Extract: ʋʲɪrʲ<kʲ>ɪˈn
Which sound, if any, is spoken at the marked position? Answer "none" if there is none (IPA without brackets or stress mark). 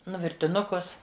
tʲ